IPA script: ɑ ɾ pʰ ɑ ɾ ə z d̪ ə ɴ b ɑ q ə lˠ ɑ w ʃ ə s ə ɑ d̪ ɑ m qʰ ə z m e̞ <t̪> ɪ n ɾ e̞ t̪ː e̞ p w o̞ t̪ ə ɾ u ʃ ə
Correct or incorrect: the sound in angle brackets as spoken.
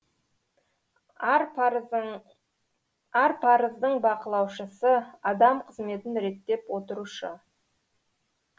correct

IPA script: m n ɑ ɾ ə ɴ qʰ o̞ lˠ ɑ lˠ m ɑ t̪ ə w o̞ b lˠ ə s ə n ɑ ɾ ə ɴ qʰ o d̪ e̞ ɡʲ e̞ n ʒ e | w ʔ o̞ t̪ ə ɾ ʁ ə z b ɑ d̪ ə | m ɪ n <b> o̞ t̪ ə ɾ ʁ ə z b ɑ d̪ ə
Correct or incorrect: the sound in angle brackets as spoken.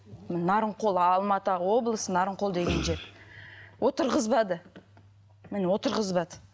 incorrect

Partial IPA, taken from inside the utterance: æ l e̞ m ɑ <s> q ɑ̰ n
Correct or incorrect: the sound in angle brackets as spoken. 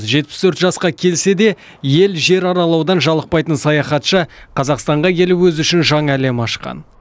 incorrect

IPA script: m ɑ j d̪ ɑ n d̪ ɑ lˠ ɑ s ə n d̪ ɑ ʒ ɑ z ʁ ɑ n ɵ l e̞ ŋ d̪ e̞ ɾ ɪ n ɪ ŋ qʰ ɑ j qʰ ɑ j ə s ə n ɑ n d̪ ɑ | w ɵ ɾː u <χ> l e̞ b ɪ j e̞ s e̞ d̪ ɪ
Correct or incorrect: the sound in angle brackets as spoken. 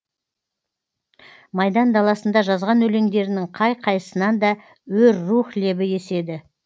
correct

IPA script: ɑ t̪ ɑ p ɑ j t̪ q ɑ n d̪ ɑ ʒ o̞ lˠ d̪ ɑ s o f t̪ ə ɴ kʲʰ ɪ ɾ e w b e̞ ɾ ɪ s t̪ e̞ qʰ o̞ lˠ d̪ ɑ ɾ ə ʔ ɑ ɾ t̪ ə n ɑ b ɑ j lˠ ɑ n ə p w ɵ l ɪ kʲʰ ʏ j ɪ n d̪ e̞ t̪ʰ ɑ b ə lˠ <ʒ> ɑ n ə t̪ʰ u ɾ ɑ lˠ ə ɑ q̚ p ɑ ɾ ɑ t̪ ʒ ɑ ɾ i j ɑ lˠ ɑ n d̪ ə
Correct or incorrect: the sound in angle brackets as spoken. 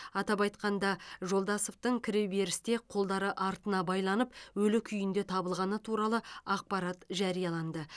incorrect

